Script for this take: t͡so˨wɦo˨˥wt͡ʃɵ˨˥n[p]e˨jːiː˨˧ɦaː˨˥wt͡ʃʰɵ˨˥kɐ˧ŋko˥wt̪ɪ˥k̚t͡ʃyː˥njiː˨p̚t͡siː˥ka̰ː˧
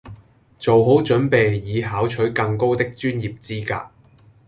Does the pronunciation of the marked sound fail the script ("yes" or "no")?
no